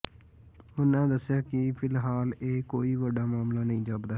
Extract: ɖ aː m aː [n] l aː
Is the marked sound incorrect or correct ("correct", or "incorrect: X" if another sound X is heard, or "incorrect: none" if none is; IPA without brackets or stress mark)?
incorrect: m